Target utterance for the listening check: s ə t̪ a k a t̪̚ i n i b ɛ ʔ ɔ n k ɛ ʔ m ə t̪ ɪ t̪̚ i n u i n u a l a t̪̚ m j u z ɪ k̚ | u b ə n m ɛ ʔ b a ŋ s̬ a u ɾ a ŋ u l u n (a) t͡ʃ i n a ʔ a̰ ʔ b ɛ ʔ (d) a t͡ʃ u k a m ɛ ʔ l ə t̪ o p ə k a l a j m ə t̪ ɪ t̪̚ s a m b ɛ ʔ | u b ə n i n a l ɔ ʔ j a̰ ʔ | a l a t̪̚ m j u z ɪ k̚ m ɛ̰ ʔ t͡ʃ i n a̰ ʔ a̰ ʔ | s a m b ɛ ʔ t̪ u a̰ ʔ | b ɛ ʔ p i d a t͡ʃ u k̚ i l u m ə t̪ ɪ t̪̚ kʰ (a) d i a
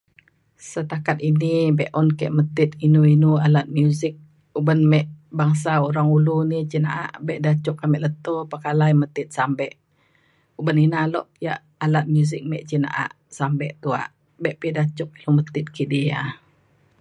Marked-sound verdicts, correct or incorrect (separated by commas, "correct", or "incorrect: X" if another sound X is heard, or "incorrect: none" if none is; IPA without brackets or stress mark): incorrect: i, correct, incorrect: i